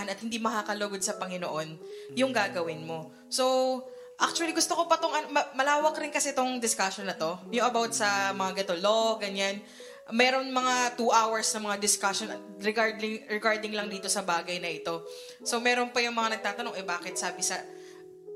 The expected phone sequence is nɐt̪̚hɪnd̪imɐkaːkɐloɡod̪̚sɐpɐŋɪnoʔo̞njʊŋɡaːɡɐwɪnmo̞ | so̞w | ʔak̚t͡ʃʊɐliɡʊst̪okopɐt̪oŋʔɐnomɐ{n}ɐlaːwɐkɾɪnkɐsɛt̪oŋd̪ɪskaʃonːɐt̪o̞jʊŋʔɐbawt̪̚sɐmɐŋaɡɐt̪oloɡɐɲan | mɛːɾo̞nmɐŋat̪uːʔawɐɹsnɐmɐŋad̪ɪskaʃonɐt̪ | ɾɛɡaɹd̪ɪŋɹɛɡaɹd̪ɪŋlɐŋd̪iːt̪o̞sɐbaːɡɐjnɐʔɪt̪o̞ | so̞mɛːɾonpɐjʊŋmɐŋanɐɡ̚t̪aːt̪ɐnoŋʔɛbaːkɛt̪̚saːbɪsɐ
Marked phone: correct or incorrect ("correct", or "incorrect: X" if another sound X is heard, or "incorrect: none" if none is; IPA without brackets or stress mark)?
incorrect: m